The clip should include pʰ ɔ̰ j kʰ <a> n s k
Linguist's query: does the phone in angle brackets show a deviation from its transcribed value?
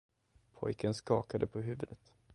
yes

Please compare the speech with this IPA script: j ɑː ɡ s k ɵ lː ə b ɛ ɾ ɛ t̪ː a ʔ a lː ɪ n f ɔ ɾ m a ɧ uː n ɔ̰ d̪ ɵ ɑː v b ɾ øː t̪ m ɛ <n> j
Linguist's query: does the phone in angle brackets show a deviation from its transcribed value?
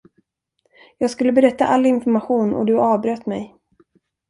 yes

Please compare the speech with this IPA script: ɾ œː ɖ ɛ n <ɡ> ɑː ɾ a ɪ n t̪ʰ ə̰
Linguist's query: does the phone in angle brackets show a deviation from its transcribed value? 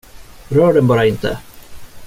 yes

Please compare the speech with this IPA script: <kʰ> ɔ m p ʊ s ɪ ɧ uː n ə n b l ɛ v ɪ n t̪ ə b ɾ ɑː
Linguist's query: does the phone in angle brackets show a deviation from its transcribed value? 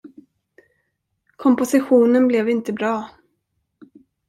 no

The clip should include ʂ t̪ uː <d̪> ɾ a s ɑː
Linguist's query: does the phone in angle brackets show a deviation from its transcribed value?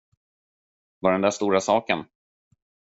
yes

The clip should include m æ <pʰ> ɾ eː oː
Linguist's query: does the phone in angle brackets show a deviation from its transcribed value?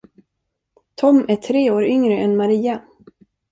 yes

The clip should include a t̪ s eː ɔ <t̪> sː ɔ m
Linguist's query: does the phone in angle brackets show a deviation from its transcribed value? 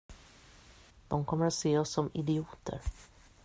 yes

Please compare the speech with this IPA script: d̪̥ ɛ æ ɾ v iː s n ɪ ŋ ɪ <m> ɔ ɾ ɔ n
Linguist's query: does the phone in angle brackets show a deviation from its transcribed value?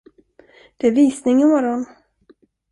no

